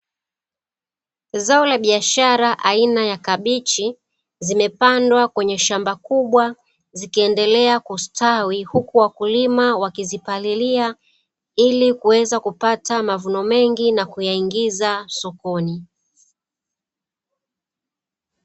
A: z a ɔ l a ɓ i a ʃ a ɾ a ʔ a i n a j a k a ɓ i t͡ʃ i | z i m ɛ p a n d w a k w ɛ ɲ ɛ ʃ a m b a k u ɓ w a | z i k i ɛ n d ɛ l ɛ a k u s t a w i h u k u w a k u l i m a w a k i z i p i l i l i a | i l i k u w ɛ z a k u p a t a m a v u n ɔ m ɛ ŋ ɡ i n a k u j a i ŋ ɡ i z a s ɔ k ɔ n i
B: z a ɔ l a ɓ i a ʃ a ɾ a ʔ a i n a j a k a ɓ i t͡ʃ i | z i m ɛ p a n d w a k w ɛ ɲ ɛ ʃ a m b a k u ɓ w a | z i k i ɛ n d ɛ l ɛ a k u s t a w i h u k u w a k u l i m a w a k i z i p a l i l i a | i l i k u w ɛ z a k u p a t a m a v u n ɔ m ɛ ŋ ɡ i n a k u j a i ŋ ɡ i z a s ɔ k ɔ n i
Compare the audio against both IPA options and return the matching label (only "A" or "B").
B